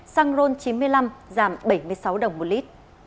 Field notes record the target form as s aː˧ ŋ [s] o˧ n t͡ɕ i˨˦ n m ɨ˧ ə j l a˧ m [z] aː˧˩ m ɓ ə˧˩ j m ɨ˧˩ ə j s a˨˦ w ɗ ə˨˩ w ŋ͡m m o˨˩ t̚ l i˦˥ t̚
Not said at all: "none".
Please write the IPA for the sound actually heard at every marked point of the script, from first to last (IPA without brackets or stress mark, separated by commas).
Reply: z, z